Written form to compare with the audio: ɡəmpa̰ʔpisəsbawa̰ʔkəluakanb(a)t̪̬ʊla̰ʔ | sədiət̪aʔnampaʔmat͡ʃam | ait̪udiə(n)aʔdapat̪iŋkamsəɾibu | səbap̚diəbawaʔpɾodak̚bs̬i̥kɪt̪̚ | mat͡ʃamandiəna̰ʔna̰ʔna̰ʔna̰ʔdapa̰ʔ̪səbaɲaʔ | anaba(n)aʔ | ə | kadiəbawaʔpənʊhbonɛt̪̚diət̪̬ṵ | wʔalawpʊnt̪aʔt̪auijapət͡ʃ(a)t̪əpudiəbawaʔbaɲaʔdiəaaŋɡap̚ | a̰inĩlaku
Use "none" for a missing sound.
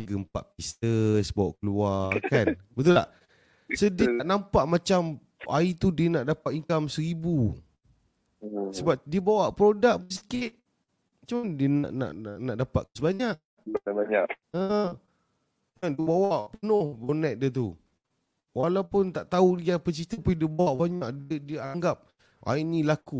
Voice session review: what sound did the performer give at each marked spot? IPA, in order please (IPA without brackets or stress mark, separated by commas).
ə, n, ɲ, i